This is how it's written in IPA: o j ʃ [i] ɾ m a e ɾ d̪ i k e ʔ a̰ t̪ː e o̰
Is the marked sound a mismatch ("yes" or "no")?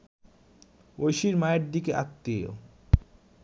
no